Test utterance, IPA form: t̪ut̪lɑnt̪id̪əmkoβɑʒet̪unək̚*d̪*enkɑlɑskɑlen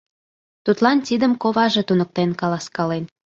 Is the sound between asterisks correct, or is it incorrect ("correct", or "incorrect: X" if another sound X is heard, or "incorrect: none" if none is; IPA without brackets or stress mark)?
incorrect: t̪